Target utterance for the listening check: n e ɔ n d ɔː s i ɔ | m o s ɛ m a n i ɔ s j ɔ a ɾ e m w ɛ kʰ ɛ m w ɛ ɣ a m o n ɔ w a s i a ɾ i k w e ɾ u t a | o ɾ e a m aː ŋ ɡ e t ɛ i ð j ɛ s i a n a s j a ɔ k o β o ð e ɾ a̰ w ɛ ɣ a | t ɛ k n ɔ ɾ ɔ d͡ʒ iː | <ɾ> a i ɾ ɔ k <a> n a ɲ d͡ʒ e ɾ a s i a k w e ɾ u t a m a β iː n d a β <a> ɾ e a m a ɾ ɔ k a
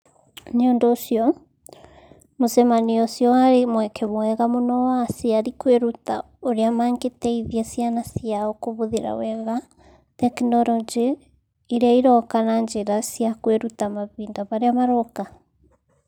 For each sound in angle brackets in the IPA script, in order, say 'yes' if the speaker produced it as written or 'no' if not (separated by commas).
yes, yes, yes